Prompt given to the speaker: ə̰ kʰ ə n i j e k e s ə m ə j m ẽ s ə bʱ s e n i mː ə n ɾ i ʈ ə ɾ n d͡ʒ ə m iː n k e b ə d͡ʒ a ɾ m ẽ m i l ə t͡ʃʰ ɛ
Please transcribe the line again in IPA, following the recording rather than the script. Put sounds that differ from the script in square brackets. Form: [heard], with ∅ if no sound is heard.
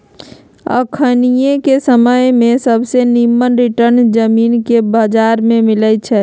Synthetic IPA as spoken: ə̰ kʰ ə n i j e k e s ə m ə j m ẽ s ə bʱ s e n i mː ə n ɾ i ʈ ə ɾ n d͡ʒ ə m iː n k e b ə d͡ʒ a ɾ m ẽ m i l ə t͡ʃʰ ɛ